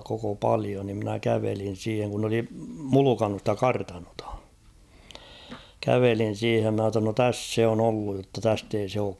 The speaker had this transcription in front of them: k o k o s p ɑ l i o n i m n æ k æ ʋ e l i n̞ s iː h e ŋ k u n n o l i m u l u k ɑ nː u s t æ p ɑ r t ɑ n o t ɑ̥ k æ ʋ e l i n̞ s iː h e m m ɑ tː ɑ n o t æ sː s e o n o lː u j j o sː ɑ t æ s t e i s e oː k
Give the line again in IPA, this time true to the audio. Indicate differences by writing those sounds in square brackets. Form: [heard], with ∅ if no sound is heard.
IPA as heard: k o k o [∅] p ɑ l i o n i m n æ k æ ʋ e l i n̞ s iː h e ŋ k u n n o l i m u l u k ɑ nː u s t æ [k] ɑ r t ɑ n o t ɑ̥ k æ ʋ e l i n̞ s iː h e m m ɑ tː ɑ n o t æ sː s e o n o lː u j j o [tː] ɑ t æ s t e i s e oː k